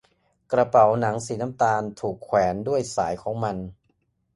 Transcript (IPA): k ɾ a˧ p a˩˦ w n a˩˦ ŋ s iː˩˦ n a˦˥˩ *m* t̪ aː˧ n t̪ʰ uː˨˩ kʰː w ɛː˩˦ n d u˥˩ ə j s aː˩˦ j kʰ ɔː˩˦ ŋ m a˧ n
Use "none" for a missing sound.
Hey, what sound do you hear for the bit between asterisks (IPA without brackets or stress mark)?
m